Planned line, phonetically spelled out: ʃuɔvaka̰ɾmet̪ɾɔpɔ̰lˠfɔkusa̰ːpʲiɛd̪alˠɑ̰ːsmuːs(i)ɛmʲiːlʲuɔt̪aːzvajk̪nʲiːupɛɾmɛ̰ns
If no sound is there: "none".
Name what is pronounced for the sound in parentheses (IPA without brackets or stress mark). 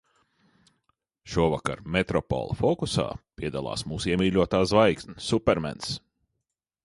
i